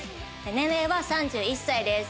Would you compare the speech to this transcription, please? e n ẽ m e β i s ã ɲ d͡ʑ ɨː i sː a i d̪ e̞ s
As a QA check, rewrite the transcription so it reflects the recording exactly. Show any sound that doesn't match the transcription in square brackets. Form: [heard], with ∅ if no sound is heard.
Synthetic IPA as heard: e n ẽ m e β [a] s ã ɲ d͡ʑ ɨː i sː a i d̪ e̞ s